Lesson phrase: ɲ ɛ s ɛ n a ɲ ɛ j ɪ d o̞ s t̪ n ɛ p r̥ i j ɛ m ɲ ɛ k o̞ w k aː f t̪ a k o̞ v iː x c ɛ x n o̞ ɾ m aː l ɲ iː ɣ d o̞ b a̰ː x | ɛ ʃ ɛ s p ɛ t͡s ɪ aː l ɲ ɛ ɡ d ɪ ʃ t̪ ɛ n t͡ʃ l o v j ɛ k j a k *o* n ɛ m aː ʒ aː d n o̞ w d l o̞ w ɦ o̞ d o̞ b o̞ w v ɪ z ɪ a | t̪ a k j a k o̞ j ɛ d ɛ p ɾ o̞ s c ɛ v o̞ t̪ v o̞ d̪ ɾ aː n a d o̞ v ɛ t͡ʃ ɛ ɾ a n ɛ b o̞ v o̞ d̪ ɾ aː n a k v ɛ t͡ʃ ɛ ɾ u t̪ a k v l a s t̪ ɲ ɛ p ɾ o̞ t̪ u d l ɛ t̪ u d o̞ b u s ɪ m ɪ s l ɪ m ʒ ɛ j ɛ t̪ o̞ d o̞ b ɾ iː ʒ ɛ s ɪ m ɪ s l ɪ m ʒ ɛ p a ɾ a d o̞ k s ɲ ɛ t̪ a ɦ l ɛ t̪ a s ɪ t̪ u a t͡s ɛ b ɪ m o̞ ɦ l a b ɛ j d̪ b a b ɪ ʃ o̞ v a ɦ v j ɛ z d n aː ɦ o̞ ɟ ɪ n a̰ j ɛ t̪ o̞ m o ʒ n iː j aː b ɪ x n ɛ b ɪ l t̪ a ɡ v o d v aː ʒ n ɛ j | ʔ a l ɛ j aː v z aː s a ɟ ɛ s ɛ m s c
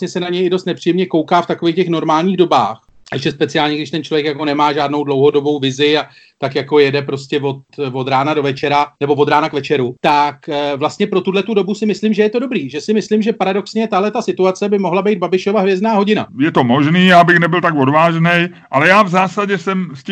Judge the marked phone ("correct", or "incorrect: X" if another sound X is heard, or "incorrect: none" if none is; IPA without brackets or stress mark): correct